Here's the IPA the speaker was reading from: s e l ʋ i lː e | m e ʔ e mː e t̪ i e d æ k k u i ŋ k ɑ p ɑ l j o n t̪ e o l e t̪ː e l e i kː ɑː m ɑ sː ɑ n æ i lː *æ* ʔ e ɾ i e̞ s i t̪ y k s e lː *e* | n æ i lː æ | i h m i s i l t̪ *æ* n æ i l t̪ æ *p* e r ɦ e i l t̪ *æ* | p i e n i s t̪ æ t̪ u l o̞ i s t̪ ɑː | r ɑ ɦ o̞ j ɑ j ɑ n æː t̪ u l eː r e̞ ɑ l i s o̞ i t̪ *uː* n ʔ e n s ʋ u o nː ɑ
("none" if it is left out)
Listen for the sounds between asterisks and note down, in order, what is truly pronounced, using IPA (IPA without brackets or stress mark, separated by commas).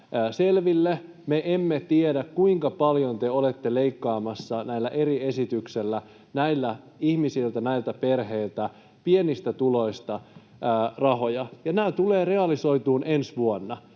æ, æ, æ, p, æ, uː